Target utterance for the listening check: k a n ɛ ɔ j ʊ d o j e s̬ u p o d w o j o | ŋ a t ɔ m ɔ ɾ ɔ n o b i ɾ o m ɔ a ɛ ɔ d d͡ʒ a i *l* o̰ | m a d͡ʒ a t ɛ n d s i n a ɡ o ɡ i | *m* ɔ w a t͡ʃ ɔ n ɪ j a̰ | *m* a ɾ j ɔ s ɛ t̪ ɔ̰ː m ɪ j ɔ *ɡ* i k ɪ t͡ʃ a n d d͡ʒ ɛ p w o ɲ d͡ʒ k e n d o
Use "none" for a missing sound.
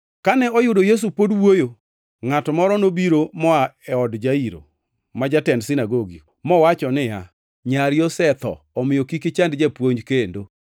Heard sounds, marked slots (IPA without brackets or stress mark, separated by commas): ɾ, m, ɲ, k